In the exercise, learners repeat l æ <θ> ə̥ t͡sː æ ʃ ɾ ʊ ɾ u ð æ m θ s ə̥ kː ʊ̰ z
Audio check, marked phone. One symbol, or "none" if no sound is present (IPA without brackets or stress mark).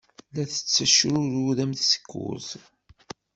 θ